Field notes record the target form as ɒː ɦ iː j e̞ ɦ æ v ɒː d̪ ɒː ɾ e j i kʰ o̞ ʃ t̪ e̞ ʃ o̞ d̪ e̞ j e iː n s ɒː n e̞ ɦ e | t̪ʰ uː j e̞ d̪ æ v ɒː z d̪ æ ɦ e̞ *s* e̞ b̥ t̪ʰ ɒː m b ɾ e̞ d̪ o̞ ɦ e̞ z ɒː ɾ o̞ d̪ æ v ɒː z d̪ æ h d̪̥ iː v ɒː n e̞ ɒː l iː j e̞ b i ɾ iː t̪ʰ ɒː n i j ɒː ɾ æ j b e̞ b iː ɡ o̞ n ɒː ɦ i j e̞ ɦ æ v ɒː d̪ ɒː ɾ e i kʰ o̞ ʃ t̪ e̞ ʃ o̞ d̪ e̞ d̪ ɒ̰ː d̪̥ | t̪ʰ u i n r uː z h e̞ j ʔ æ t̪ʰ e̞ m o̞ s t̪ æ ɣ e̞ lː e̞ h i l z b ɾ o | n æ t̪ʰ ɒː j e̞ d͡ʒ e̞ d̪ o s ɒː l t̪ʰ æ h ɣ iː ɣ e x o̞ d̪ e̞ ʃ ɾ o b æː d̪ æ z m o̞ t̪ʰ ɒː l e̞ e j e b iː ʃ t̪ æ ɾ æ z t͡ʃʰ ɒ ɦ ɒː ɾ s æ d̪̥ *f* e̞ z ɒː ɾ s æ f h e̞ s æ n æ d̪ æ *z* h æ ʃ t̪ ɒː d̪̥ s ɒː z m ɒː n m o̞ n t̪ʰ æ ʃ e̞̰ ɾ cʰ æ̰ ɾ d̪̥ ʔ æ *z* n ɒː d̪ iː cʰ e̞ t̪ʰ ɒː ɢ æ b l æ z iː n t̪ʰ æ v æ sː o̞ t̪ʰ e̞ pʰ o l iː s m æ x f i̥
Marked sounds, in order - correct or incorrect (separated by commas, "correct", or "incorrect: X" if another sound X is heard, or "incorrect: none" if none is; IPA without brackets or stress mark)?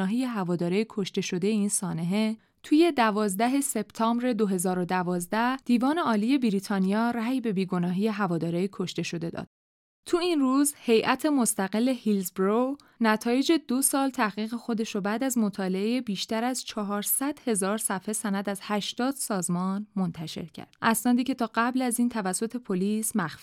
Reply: correct, incorrect: h, correct, incorrect: s